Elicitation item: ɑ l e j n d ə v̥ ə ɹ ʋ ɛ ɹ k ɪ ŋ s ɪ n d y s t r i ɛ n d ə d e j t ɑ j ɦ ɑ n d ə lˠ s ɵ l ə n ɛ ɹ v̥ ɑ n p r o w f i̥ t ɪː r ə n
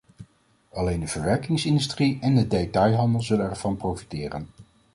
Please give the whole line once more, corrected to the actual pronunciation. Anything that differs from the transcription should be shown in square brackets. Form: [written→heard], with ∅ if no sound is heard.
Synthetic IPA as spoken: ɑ l e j n d ə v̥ ə ɹ ʋ ɛ ɹ k ɪ ŋ s ɪ n d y s t r i ɛ n d ə d e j t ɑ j ɦ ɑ n d ə lˠ [s→z] ɵ l ə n ɛ ɹ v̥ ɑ n p r o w f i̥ t ɪː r ə n